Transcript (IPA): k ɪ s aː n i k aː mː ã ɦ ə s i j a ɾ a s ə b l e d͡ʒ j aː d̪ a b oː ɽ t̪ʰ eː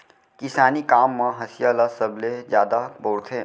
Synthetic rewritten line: k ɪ s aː n i k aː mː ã ɦ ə s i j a l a s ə b l e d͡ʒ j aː d̪ a b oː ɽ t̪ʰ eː